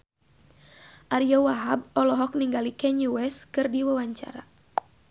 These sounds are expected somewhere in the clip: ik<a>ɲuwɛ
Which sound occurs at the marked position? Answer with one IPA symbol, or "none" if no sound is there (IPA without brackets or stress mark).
ɛ